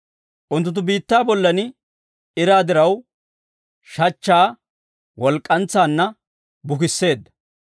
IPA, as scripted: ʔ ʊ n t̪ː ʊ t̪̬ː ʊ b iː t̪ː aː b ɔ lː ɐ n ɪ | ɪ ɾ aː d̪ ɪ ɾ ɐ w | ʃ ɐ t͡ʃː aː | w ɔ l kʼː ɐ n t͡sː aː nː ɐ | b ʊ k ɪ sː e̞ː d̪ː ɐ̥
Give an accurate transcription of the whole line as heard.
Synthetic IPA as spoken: ʔ ʊ n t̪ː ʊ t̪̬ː ʊ b iː t̪ː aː b ɔ lː ɐ n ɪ | ɪ ɾ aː d̪ ɪ ɾ ɐ w | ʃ ɐ t͡ʃː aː | w ɔ l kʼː ɐ n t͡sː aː nː ɐ | b ʊ k ɪ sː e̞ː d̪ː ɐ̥